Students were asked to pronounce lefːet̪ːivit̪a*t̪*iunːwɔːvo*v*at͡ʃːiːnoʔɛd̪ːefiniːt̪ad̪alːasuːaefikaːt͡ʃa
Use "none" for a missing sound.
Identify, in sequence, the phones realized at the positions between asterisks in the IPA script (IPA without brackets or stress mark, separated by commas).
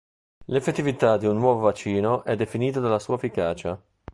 d̪, v